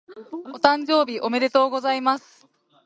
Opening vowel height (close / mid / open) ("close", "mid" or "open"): mid